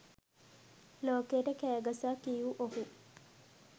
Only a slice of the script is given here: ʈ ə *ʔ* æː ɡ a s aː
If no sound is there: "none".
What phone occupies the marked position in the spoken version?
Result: k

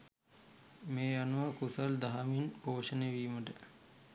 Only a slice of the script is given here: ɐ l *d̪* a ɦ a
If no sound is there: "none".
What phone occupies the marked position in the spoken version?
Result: d̪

